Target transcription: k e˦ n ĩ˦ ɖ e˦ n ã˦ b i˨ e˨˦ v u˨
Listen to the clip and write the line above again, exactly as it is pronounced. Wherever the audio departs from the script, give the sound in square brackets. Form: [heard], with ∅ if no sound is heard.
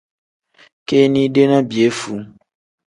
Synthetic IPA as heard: k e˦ n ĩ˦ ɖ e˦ n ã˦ b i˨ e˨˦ [f] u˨